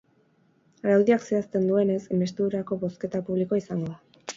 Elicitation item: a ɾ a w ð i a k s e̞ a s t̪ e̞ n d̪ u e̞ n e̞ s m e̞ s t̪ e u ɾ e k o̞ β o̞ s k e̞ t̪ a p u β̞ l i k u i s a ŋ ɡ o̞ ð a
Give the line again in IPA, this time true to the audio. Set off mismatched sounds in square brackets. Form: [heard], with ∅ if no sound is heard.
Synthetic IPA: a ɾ a w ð i a k s e̞ a s t̪ e̞ n d̪ u e̞ n e̞ s m e̞ s t̪ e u ɾ [a] k o̞ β o̞ s k e̞ t̪ a p u β̞ l i k [o] i s a ŋ ɡ o̞ ð a